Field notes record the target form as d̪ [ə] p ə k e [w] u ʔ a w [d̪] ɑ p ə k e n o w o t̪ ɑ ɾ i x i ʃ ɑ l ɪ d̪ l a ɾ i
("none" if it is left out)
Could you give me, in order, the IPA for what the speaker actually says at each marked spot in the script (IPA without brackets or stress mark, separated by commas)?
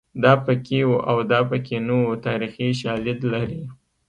ɑ, w, d̪